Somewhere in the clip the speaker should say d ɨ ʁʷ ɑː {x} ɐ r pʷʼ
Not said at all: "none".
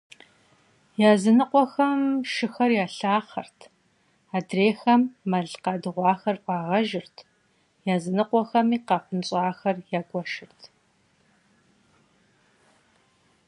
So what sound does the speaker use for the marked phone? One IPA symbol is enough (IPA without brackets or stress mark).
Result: x